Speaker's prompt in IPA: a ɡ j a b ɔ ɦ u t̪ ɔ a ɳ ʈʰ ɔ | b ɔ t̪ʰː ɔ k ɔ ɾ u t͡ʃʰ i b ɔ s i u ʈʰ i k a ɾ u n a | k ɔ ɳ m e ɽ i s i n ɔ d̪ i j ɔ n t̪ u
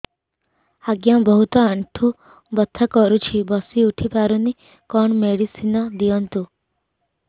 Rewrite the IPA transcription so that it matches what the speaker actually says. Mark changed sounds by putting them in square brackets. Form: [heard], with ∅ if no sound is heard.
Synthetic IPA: a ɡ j a b ɔ ɦ u t̪ ɔ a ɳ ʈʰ [u] | b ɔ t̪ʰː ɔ k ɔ ɾ u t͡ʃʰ i b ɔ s i u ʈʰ i [p] a ɾ u n [i] | k ɔ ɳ m e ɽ i s i n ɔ d̪ i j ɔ n t̪ u